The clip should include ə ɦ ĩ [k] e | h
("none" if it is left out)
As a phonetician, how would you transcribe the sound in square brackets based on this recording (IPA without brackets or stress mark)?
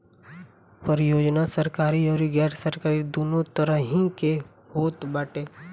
k